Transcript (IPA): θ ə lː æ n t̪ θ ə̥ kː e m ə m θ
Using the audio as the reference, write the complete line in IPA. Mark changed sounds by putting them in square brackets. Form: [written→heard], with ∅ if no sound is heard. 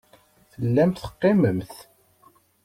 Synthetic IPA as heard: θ ə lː æ [n→m] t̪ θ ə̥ [kː→qː] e m ə m θ

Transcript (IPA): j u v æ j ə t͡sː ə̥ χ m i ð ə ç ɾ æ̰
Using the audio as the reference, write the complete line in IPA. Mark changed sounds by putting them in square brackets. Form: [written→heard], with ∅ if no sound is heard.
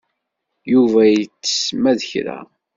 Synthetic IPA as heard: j u v æ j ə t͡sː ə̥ [χ→s] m [i→æ] ð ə ç ɾ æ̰

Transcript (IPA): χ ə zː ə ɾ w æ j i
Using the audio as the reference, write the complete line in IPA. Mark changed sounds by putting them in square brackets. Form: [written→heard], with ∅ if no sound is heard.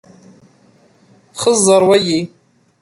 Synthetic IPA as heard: χ ə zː [ə→a] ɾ w [æ→a] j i

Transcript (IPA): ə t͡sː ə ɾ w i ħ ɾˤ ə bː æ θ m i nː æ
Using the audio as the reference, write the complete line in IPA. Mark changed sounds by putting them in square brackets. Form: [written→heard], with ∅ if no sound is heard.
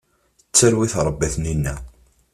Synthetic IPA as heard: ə t͡sː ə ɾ w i [ħ→θ] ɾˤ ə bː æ θ [m→n] i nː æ

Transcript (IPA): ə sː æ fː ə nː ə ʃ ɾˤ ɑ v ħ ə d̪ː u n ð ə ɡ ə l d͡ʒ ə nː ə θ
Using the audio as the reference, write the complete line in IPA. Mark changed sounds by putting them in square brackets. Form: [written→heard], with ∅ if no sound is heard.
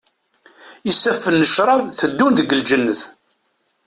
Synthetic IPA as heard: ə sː æ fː ə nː ə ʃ ɾˤ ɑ v [ħ→θ] ə d̪ː u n ð ə ɡ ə l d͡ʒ ə nː ə θ

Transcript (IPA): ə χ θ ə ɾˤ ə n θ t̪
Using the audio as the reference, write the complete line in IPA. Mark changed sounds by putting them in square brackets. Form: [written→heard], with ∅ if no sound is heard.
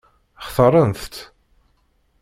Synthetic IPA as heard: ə χ θ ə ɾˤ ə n θ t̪

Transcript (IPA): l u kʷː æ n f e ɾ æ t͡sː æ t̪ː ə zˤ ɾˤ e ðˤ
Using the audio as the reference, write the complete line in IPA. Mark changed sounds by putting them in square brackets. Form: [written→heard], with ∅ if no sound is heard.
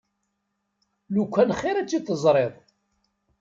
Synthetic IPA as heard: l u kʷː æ n [f→χ] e ɾ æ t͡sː [æ→i] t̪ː ə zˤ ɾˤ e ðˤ

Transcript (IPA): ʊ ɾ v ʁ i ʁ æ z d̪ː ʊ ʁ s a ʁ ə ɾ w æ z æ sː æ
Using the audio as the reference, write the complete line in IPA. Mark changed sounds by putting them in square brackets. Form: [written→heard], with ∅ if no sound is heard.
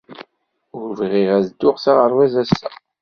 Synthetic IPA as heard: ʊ ɾ v ʁ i ʁ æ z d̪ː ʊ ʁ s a ʁ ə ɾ w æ z æ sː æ

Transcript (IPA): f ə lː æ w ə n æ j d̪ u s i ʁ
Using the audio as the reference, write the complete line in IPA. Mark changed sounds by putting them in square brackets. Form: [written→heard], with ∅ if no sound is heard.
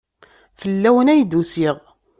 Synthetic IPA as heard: f ə lː æ w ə n æ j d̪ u s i ʁ

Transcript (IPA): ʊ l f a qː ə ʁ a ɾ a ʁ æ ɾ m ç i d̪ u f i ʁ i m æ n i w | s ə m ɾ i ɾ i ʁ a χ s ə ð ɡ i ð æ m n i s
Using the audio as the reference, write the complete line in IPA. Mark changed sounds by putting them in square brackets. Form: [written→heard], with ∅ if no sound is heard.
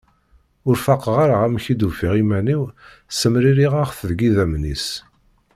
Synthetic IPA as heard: ʊ [l→ɾ] f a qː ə ʁ a ɾ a ʁ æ [ɾ→∅] m ç i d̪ u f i ʁ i m æ n i w | s ə m ɾ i ɾ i ʁ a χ [s→θ] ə ð ɡ i ð æ m n i s

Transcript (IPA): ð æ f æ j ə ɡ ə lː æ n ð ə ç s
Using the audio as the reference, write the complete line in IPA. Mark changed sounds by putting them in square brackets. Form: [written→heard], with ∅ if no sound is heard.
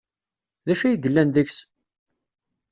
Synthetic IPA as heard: ð æ [f→ʃ] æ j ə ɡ ə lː æ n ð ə ç s

